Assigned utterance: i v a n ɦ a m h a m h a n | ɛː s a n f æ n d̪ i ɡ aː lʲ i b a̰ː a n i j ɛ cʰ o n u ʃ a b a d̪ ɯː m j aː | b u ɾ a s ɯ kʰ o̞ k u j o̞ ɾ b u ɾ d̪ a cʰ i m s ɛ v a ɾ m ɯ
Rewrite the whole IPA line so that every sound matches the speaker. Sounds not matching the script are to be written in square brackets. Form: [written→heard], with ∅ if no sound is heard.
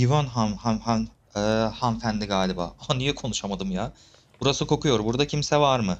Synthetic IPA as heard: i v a n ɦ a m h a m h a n | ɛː [s→h] a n f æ n d̪ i ɡ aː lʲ i b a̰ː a n i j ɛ [cʰ→kʰ] o n u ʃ a [b→m] a d̪ [ɯː→ɯ] m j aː | b u ɾ a s ɯ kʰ o̞ k u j o̞ ɾ b u ɾ d̪ a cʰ i m s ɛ v a ɾ m ɯ

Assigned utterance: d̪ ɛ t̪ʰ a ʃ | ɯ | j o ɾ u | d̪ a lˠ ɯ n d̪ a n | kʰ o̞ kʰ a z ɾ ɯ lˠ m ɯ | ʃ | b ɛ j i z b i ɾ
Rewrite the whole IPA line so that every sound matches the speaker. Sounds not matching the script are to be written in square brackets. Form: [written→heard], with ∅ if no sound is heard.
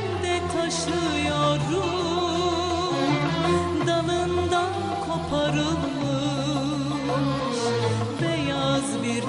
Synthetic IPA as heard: d̪ ɛ t̪ʰ a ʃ | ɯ | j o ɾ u | d̪ a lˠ ɯ n d̪ a n | kʰ o̞ [kʰ→pʰ] a [z→∅] ɾ ɯ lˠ m ɯ | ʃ | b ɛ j [i→a] z b i ɾ

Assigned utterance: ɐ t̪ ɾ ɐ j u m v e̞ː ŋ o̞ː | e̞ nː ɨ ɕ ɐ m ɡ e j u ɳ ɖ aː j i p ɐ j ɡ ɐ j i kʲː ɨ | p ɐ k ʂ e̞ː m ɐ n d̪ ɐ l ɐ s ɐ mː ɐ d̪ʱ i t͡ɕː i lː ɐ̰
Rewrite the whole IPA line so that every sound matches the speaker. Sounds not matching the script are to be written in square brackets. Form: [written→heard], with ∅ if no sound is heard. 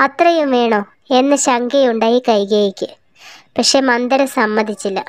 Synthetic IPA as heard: ɐ t̪ [ɾ→r] ɐ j u m [v→ʋ] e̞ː [ŋ→ɳ] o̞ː | e̞ nː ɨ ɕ ɐ [m→ŋ] ɡ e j u ɳ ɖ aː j i [p→k] ɐ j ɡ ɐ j i kʲː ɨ | p ɐ k ʂ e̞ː m ɐ n d̪ ɐ [l→ɾ] ɐ s ɐ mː ɐ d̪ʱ i t͡ɕː i lː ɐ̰

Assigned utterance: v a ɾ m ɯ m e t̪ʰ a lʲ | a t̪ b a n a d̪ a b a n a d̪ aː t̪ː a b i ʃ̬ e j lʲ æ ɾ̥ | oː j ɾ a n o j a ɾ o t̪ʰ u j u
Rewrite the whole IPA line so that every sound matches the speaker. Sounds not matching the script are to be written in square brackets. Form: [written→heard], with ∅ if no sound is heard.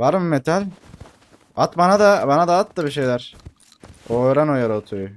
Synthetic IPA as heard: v a ɾ m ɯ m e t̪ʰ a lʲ | a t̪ b a n a d̪ a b a n a d̪ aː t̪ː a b i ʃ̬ e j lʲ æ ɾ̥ | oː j ɾ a n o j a ɾ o t̪ʰ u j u

